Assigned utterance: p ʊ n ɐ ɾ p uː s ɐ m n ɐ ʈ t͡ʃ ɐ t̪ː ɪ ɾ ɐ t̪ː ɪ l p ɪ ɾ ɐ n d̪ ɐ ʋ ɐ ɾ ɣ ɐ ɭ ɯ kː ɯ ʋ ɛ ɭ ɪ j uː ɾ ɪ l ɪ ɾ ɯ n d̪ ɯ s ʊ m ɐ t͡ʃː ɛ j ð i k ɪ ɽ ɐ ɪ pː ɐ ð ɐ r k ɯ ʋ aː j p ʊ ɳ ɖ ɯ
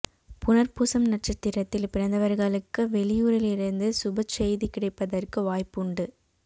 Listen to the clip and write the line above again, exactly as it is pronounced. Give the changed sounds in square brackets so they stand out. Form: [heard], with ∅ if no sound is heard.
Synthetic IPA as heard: p ʊ n ɐ ɾ p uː s ɐ m n ɐ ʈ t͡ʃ ɐ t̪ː ɪ ɾ ɐ t̪ː ɪ l p ɪ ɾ ɐ n d̪ ɐ ʋ ɐ ɾ ɣ ɐ ɭ ɯ kː ɯ ʋ ɛ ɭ ɪ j uː ɾ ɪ l ɪ ɾ ɯ n d̪ ɯ s ʊ [b] ɐ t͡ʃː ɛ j ð i k ɪ ɽ ɐ ɪ pː ɐ ð ɐ r k ɯ ʋ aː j p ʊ ɳ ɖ ɯ